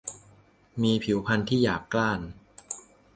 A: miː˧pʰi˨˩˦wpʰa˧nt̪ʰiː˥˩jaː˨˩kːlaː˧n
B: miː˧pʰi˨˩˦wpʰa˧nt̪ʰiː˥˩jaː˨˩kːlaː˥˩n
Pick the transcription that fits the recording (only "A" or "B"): B